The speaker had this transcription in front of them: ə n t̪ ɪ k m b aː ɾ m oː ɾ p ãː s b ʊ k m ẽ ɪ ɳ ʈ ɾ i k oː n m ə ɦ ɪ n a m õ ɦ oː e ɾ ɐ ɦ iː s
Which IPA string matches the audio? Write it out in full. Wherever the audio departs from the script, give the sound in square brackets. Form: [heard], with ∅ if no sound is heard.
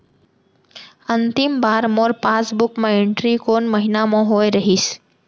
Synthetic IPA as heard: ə n t̪ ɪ [∅] m b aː ɾ m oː ɾ p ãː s b ʊ k m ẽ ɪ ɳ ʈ ɾ i k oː n m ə ɦ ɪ n a m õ ɦ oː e ɾ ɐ ɦ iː s